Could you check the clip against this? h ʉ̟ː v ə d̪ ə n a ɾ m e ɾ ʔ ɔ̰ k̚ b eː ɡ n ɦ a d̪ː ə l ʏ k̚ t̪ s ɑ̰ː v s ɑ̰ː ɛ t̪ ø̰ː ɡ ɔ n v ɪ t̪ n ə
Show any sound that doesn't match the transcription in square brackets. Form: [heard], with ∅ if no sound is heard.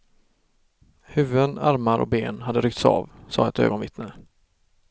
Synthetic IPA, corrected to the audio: h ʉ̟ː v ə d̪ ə n a ɾ m [a] ɾ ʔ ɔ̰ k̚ b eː [∅] n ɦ a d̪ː ə [ɾ] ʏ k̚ t̪ s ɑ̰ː v s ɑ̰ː ɛ t̪ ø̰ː ɡ ɔ n v ɪ t̪ n ə